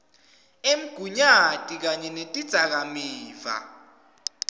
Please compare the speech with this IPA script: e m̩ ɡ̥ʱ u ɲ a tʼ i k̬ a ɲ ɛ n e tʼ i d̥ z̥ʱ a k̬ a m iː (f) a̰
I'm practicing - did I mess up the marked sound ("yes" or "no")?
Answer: yes